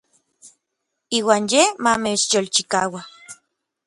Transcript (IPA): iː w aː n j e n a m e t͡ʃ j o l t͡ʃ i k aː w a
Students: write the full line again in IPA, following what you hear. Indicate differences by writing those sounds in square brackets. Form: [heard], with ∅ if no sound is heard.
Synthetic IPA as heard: iː w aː n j e [m] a m e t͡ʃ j o l t͡ʃ i k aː w a